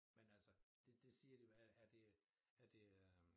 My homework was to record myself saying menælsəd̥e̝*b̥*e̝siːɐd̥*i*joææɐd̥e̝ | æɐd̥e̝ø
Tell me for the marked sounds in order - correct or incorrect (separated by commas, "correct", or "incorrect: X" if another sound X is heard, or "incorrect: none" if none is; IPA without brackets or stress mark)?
incorrect: d̥, correct